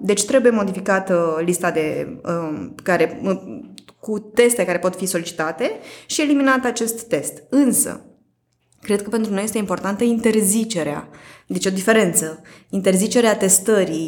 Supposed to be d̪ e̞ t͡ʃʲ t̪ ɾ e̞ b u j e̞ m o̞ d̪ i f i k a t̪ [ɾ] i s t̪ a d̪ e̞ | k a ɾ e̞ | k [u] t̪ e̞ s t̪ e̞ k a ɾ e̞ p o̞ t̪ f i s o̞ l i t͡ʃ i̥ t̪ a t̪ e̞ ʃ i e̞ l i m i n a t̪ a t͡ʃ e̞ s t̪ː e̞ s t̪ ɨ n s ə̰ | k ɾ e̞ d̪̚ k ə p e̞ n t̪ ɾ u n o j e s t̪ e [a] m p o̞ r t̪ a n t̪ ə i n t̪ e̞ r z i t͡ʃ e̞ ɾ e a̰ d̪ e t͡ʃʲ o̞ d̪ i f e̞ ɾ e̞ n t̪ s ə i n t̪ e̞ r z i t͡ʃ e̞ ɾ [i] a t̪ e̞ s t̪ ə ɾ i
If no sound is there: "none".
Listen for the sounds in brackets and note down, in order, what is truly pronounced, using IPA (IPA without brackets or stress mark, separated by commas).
l, u, i, e